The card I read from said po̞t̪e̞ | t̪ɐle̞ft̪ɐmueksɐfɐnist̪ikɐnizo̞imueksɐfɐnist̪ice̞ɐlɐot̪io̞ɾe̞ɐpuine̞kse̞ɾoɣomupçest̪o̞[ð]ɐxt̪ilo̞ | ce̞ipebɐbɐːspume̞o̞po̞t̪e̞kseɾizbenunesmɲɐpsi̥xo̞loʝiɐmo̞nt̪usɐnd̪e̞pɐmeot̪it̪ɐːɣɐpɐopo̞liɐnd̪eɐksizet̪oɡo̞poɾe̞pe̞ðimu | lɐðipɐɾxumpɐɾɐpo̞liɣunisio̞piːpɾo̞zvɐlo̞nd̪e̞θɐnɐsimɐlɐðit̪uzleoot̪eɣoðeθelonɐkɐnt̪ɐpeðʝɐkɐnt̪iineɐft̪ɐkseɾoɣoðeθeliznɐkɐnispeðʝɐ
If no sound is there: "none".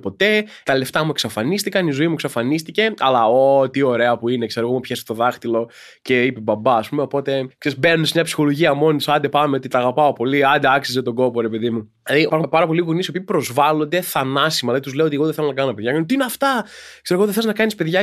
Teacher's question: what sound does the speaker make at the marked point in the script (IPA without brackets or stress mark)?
ð